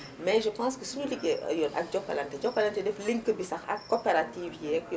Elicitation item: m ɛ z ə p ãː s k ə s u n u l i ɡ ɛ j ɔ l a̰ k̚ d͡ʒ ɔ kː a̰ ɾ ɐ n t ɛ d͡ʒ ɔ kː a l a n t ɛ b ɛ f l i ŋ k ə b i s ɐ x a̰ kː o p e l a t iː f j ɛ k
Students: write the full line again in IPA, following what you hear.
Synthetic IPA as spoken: m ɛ ʒ ə p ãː s k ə s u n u l i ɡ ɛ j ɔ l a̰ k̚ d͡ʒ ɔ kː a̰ l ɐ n t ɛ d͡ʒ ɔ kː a l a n t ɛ d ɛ f l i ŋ k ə b i s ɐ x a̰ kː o p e ɾ a t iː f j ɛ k